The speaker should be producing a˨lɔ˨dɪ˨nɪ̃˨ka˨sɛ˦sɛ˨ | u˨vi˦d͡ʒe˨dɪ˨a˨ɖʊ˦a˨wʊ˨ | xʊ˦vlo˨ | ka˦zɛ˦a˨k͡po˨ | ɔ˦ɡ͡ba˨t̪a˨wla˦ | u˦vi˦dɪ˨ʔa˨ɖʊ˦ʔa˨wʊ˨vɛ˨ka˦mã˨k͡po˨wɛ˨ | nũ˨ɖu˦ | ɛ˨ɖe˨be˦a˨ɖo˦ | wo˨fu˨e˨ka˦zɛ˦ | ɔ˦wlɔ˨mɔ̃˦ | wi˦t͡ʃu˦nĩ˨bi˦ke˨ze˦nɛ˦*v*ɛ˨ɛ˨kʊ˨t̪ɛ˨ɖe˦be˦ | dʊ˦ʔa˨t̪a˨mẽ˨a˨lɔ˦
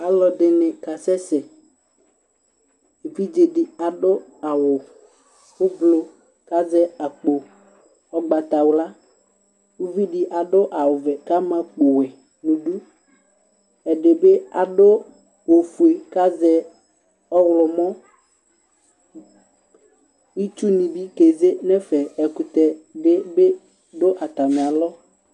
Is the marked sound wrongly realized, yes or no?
yes